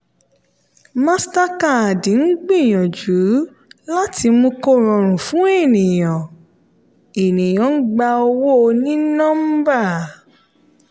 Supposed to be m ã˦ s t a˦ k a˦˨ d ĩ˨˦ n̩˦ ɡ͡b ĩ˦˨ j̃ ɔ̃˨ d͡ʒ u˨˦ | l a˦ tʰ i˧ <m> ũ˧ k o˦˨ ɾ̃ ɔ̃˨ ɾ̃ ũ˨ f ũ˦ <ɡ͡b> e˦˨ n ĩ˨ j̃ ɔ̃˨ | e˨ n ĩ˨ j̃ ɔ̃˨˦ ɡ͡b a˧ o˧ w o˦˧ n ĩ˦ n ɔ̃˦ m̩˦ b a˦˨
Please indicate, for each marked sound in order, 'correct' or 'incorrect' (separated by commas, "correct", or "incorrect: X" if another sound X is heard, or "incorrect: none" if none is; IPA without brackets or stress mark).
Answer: correct, incorrect: none